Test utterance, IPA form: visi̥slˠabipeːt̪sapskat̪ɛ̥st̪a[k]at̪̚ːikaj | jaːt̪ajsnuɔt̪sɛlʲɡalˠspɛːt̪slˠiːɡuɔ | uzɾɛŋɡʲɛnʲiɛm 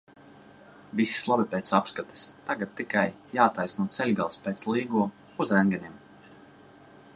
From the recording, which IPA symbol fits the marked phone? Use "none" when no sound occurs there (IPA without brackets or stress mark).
ɡ